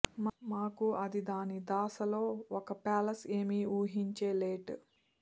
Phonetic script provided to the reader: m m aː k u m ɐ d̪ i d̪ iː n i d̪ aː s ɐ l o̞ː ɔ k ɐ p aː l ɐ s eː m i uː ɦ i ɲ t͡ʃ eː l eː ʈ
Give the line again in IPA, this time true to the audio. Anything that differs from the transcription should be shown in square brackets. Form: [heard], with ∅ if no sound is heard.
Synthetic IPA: m m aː k u [∅] ɐ d̪ i d̪ [aː] n i d̪ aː s ɐ l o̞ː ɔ k ɐ p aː l ɐ s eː m i uː ɦ i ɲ t͡ʃ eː l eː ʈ